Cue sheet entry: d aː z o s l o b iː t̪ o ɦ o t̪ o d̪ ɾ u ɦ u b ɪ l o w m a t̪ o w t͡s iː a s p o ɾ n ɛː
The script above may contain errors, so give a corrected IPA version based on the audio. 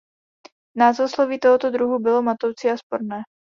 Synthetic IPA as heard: n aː z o s l o v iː t̪ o ɦ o t̪ o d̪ ɾ u ɦ u b ɪ l o m a t̪ o w t͡s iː a s p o ɾ n ɛː

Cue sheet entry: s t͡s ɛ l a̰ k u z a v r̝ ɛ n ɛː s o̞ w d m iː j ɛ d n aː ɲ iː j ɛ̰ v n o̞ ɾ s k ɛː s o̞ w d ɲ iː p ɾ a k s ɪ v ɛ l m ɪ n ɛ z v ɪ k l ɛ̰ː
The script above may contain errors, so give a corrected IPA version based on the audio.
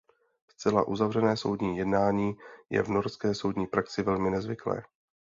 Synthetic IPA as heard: s t͡s ɛ l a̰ ʔ u z a v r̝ ɛ n ɛː s o̞ w d ɲ iː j ɛ d n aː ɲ iː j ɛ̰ v n o̞ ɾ s k ɛː s o̞ w d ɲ iː p ɾ a k s ɪ v ɛ l m ɪ n ɛ z v ɪ k l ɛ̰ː

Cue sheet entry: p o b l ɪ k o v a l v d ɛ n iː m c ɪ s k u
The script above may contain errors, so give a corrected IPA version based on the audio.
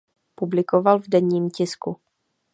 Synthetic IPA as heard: p u b l ɪ k o v a l v d ɛ ɲ iː m c ɪ s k u

